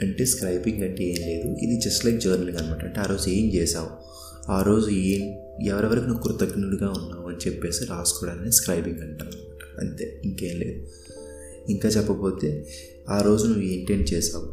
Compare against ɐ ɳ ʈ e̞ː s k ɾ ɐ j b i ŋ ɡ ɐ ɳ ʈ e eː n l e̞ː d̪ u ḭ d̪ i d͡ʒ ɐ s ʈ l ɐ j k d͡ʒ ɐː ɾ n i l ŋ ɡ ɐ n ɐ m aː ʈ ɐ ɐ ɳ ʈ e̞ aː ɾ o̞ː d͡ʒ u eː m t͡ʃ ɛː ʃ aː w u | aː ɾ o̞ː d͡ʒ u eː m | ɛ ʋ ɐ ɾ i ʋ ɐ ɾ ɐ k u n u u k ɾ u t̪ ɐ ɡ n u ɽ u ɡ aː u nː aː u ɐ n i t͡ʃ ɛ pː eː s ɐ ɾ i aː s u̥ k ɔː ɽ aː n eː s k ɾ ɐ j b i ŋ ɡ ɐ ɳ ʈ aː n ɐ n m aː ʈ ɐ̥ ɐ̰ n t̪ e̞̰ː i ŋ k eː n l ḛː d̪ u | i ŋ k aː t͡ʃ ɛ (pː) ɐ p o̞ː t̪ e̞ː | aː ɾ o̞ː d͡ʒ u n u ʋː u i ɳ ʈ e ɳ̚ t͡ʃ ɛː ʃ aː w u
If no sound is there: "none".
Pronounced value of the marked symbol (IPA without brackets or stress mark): pː